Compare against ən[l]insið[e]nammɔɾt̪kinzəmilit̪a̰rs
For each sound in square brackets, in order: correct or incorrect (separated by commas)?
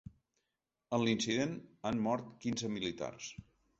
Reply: correct, correct